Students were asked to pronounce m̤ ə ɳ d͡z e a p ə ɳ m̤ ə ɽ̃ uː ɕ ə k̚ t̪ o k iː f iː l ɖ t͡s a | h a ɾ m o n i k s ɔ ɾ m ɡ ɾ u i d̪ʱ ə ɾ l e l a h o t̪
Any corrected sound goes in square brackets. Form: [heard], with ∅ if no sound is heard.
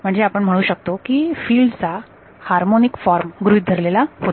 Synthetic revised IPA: m̤ ə ɳ d͡z e a p ə ɳ m̤ ə ɽ̃ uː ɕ ə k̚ t̪ o k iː f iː l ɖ t͡s a | h a ɾ m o n i k [f] ɔ ɾ m ɡ ɾ u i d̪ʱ ə ɾ l e l a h o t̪